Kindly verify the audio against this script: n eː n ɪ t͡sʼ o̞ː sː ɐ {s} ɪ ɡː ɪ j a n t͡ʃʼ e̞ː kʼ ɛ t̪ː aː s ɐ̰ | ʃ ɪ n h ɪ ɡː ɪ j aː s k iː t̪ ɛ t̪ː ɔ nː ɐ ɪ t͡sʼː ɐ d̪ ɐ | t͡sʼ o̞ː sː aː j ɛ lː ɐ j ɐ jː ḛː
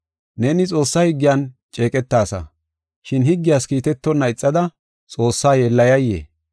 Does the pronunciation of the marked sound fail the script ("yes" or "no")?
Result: yes